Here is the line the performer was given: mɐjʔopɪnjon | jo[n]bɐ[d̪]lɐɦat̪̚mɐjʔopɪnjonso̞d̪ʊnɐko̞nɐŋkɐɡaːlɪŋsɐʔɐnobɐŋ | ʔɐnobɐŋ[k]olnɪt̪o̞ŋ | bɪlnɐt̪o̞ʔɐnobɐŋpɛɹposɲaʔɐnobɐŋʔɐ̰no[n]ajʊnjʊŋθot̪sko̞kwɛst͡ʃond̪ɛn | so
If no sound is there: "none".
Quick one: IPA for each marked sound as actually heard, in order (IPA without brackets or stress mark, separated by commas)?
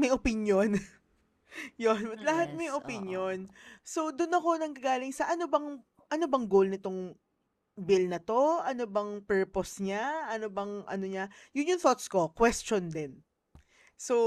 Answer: n, t̪, ɡ, ɲ